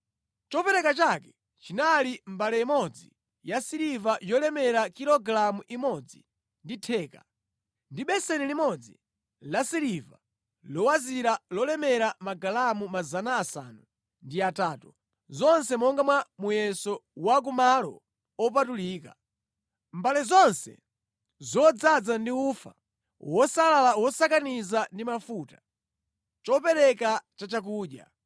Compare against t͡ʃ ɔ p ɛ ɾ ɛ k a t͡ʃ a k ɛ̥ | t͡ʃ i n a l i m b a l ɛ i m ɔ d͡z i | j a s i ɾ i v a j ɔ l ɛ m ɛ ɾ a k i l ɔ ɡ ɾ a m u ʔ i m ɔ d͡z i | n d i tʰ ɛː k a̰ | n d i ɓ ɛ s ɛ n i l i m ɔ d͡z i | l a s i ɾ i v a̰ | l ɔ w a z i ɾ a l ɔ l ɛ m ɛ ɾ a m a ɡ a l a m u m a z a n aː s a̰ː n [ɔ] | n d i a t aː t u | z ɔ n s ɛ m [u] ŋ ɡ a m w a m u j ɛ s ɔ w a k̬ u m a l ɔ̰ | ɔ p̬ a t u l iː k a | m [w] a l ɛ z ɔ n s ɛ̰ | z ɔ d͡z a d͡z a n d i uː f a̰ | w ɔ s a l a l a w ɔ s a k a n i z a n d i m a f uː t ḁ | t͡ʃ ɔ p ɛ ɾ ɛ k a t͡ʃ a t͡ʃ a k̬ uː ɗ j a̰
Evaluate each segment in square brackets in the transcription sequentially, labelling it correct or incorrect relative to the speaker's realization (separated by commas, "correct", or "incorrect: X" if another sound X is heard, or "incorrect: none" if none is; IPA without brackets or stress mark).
incorrect: u, incorrect: ɔ, incorrect: b